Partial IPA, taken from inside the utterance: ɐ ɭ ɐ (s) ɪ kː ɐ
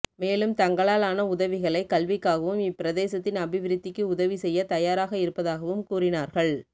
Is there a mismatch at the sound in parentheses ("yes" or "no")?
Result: yes